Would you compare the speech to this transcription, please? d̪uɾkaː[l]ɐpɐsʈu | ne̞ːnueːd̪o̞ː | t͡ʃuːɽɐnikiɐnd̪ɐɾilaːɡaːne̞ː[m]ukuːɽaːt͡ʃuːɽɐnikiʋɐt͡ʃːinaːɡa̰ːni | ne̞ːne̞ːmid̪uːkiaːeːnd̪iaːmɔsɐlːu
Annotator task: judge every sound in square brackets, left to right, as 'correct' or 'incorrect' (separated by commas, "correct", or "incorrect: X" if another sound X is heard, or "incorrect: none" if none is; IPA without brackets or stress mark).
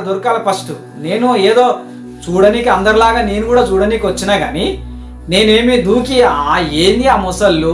correct, incorrect: n